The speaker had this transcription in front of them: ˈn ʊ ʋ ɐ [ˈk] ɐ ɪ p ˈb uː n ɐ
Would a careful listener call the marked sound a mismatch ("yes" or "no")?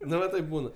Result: yes